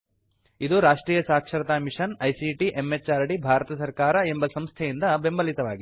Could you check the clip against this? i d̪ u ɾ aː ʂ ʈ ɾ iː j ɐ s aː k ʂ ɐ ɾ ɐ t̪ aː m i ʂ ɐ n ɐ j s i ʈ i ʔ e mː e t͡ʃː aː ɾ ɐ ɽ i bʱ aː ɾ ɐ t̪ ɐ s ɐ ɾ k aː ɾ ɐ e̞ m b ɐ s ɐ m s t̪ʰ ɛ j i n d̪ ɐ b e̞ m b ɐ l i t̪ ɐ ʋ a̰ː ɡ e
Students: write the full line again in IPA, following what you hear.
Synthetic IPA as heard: i d̪ u ɾ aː ʂ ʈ ɾ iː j ɐ s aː k ʂ ɐ ɾ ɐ t̪ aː m i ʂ ɐ n ɐ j s i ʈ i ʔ e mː e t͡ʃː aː ɾ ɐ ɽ i bʱ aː ɾ ɐ t̪ ɐ s ɐ ɾ k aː ɾ ɐ e̞ m b ɐ s ɐ m s t̪ʰ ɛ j i n d̪ ɐ b e̞ m b ɐ l i t̪ ɐ ʋ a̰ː ɡ i